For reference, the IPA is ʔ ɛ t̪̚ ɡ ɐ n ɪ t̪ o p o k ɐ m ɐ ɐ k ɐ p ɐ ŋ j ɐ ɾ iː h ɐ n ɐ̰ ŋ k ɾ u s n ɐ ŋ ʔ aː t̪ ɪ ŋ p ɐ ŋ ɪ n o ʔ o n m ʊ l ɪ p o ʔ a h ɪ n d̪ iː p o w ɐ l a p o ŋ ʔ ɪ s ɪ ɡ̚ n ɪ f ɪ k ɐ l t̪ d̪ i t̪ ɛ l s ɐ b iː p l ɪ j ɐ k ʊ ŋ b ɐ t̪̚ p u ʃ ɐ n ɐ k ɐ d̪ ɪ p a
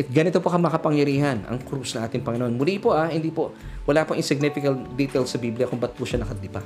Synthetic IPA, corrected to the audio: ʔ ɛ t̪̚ ɡ ɐ n ɪ t̪ o p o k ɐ m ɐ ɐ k ɐ p ɐ ŋ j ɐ ɾ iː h ɐ n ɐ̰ ŋ k ɾ u s n ɐ ŋ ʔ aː t̪ ɪ ŋ p ɐ ŋ ɪ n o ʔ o n m ʊ l i p o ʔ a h ɪ n d̪ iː p o w ɐ l a p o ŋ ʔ ɪ s ɪ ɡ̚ n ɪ f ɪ k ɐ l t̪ d̪ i t̪ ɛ l s ɐ b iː b l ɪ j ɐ k ʊ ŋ b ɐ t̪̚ p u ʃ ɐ n ɐ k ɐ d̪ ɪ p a